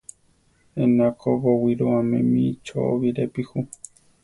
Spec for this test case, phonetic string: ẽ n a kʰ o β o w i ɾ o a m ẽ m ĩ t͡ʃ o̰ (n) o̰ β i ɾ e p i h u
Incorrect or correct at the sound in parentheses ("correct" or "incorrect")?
incorrect